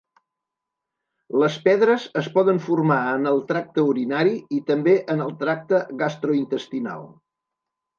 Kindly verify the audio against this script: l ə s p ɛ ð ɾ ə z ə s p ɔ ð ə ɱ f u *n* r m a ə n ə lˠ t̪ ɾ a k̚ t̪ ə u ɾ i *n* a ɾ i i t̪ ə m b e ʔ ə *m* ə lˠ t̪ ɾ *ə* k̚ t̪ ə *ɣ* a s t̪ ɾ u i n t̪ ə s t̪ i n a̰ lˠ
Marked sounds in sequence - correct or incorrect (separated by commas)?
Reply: incorrect, correct, incorrect, incorrect, correct